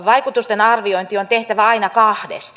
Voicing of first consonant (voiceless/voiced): voiced